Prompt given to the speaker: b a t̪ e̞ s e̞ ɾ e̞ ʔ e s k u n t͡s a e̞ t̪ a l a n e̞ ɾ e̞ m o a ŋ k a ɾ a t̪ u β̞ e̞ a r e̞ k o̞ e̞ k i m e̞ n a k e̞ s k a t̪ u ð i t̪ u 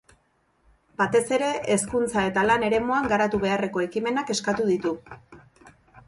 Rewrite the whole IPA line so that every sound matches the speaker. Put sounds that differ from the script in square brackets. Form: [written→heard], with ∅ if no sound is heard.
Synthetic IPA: b a t̪ e̞ s e̞ ɾ e̞ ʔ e s k u n t͡s a e̞ t̪ a l a n e̞ ɾ e̞ m o a ŋ [k→ɡ] a ɾ a t̪ u β̞ e̞ a r e̞ k o̞ e̞ k i m e̞ n a k e̞ s k a t̪ u ð i t̪ u